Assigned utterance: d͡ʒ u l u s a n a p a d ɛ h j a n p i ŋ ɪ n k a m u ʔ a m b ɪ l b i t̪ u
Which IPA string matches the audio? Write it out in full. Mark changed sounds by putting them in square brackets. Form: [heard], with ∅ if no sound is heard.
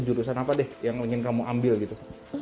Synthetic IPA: d͡ʒ u [ɾ] u s a n a p a d ɛ h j a [ŋ] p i ŋ ɪ n k a m u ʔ a m b ɪ l [ɡ] i t̪ u